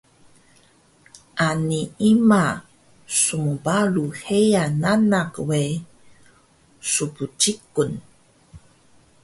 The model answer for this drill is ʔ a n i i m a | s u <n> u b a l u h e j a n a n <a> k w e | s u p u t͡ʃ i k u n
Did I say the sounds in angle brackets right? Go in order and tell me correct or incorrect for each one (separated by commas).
incorrect, correct